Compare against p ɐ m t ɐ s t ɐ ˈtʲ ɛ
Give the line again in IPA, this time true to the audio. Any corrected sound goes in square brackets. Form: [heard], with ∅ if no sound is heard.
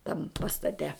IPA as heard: [t] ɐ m [p] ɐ s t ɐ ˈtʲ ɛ

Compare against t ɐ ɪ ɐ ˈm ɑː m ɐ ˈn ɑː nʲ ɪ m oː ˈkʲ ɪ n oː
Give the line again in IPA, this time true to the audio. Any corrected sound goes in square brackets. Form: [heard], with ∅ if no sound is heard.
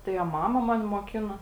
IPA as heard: t ɐ ɪ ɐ ˈm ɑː m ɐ [ˈm] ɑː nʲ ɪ m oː ˈkʲ ɪ n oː

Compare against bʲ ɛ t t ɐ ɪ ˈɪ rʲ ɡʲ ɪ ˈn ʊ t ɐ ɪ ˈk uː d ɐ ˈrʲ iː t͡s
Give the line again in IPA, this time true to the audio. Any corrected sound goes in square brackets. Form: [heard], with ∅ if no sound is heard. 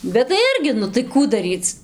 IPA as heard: bʲ ɛ t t ɐ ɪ ˈɪ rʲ ɡʲ ɪ ˈn ʊ t ɐ ɪ ˈk uː d ɐ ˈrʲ iː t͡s

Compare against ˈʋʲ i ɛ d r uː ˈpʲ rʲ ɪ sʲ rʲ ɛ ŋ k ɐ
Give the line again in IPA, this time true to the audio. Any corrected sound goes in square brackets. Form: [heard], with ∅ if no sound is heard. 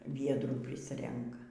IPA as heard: ˈʋʲ i ɛ d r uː ˈpʲ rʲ ɪ sʲ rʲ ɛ ŋ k ɐ

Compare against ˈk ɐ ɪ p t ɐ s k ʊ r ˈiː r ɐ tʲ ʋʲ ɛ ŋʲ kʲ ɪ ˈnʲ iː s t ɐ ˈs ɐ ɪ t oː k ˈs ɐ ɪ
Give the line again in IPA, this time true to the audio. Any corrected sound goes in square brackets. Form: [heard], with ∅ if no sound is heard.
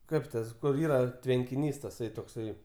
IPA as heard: ˈk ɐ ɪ p t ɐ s k ʊ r ˈiː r ɐ tʲ ʋʲ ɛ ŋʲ kʲ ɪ ˈnʲ iː s t ɐ ˈs ɐ ɪ t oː k ˈs ɐ ɪ

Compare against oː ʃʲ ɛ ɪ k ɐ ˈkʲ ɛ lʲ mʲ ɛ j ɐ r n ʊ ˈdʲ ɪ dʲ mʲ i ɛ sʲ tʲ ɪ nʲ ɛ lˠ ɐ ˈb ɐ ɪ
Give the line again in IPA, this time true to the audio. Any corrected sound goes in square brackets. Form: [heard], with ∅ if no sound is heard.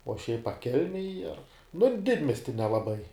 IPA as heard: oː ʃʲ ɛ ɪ [p] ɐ ˈkʲ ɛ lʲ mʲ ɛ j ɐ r n ʊ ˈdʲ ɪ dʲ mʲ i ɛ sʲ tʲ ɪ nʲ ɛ lˠ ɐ ˈb ɐ ɪ

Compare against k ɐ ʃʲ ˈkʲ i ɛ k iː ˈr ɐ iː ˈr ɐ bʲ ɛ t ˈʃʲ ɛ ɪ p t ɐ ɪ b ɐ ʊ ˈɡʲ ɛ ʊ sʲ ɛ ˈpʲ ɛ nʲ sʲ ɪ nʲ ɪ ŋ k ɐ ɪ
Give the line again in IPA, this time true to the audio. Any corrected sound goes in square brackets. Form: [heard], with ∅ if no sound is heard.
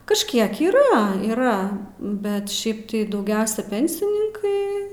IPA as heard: k ɐ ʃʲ ˈkʲ i ɛ k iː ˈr ɐ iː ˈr ɐ bʲ ɛ t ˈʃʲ ɛ ɪ p t ɐ ɪ [d] ɐ ʊ ˈɡʲ ɛ ʊ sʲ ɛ ˈpʲ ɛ nʲ sʲ ɪ nʲ ɪ ŋ k ɐ ɪ

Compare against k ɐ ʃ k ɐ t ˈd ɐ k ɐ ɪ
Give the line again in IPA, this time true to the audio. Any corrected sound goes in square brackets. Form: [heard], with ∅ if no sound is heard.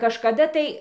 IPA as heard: k ɐ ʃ k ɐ [∅] ˈd ɐ [t] ɐ ɪ

